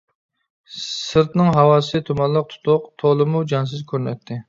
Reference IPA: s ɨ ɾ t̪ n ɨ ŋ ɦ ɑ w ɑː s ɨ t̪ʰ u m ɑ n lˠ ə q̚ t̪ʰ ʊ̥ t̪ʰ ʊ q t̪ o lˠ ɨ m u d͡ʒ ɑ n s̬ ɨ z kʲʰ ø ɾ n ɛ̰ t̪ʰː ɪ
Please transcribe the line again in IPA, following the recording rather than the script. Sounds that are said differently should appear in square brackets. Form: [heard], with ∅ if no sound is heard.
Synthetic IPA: s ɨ ɾ t̪ n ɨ ŋ ɦ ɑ w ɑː s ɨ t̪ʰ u m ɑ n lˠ ə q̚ t̪ʰ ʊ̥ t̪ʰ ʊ q [t̪ʰ] o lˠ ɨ m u d͡ʒ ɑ n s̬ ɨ z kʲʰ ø ɾ n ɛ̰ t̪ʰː ɪ